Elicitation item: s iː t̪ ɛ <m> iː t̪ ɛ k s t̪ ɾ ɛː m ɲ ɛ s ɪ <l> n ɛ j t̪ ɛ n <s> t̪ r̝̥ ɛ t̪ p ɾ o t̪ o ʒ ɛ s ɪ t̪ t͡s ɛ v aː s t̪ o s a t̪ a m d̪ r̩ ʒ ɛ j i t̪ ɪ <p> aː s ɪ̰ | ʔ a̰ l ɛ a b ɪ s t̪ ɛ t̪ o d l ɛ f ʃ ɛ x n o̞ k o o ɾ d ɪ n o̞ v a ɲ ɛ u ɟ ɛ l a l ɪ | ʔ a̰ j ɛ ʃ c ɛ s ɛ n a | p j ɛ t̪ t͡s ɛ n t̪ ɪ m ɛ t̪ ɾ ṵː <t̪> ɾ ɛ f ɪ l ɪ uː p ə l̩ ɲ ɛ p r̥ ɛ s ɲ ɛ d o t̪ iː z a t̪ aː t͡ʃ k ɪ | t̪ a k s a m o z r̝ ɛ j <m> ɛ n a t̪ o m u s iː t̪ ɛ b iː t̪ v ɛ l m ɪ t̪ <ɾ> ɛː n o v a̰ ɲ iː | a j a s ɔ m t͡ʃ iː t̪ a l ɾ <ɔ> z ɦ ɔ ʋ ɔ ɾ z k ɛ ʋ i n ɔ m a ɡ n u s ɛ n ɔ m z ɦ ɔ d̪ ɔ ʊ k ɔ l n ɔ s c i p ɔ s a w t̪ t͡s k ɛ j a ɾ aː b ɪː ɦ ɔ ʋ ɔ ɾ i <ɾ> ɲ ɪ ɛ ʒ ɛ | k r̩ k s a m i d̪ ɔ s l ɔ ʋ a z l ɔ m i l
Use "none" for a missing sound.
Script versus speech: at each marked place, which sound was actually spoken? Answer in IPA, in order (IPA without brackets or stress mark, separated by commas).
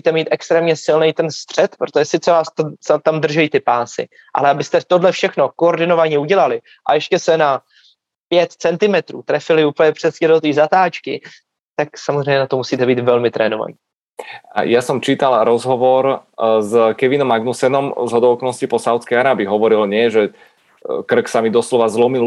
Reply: m, l, s, p, t̪, ɲ, ɾ, ɔ, l